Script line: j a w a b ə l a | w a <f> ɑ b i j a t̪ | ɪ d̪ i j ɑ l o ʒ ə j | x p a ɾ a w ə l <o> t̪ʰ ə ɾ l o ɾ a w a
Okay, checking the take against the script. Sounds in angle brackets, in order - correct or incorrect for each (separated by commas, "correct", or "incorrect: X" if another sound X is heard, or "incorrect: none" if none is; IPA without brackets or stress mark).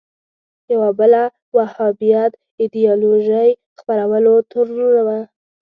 incorrect: h, correct